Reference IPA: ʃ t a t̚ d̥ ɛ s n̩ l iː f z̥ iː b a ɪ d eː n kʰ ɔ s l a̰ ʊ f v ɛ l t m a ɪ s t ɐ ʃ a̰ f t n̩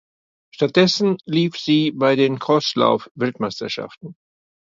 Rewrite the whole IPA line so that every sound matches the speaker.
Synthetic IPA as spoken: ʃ t a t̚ d̥ ɛ s n̩ l iː f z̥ iː b a ɪ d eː n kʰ ɔ s l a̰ ʊ f v ɛ l t m a ɪ s t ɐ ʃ a̰ f t n̩